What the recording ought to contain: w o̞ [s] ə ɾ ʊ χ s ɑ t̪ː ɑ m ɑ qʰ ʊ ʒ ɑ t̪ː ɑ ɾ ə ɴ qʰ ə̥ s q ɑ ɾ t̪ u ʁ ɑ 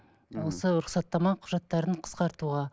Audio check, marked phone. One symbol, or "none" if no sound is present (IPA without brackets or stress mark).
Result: s